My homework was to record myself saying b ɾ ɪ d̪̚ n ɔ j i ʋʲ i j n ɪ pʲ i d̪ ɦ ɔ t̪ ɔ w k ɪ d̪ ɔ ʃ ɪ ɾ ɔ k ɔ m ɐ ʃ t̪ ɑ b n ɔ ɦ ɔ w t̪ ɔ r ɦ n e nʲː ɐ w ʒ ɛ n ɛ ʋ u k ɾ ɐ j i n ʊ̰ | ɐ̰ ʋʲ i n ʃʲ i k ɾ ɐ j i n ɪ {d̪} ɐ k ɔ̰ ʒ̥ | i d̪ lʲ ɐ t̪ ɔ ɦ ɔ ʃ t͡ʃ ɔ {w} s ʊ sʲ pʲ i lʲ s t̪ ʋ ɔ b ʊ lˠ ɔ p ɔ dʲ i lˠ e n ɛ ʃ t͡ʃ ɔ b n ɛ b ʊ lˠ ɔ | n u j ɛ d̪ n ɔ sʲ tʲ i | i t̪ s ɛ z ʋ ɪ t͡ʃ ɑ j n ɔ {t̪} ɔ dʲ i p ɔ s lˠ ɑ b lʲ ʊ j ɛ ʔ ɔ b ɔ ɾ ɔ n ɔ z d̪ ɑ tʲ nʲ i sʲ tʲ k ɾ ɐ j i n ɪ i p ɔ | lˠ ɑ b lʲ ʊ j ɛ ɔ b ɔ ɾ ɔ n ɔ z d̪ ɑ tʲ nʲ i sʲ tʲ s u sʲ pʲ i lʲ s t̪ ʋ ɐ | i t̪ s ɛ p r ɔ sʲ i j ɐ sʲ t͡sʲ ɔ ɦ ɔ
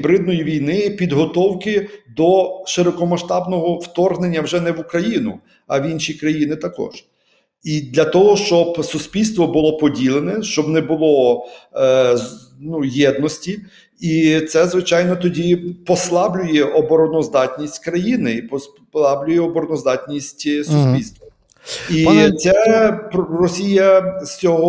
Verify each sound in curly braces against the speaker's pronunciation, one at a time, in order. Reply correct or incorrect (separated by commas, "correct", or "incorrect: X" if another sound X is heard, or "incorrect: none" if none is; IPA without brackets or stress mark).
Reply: incorrect: t̪, incorrect: b, correct